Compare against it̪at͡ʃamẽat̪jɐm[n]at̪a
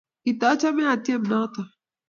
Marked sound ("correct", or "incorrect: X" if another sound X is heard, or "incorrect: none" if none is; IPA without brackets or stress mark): correct